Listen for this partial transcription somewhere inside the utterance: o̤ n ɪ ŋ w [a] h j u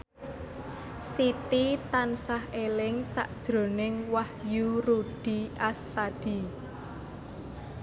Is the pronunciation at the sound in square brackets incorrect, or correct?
correct